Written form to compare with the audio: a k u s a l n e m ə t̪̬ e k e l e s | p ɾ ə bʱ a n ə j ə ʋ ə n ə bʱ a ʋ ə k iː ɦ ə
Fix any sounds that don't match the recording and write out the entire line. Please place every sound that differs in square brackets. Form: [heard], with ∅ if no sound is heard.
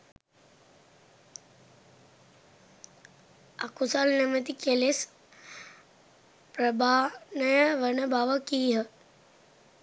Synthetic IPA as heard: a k u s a l n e m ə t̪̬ [i] k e l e s | p ɾ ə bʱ a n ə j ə ʋ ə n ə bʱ a ʋ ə k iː ɦ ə

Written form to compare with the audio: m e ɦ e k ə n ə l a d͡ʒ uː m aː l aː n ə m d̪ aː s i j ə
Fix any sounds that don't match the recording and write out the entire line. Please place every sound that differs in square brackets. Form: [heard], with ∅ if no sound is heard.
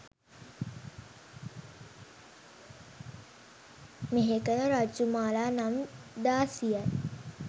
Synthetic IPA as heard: m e ɦ e k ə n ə [ɾ] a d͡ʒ [u] m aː l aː n [a] m d̪ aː s i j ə

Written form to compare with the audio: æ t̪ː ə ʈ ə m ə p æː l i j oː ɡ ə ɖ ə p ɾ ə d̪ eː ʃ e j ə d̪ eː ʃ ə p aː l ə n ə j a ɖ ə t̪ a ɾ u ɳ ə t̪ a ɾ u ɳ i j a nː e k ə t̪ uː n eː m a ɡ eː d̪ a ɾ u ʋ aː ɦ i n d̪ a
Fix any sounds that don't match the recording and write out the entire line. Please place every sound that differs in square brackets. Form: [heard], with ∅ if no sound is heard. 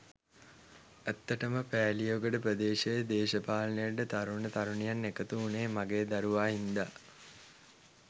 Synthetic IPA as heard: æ t̪ː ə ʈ ə m ə p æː l i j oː ɡ ə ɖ ə p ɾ ə d̪ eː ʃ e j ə d̪ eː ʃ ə p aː l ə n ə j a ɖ ə t̪ a ɾ u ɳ ə t̪ a ɾ u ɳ i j a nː e k ə t̪ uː n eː m a ɡ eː d̪ a ɾ u ʋ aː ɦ i n d̪ a

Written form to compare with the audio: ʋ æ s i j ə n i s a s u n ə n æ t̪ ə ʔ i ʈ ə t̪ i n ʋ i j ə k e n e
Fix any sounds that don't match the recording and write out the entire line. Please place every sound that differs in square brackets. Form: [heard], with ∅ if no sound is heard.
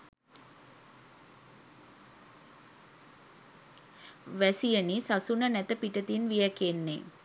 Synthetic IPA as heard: ʋ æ s i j ə n i s a s u n ə n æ t̪ ə [p] i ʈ ə t̪ i n ʋ i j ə k e [nː] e

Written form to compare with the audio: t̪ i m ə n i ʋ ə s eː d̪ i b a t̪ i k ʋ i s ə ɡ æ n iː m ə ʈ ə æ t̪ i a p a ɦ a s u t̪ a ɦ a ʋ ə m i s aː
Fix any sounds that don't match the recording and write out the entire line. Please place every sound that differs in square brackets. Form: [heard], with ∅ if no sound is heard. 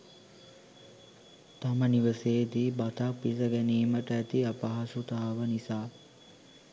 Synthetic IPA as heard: t̪ [a] m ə n i ʋ ə s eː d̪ i b a t̪ [a] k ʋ i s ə ɡ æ n iː m ə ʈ ə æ t̪ i a p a ɦ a s u t̪ a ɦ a ʋ ə [n] i s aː

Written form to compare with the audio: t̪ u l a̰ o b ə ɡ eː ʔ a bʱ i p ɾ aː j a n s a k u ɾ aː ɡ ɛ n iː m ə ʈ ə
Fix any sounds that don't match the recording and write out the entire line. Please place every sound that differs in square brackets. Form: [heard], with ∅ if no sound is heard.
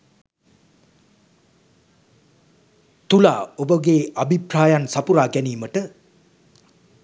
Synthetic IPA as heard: t̪ u l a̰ o b ə ɡ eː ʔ a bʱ i p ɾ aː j a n s a [p] u ɾ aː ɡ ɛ n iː m ə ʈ ə

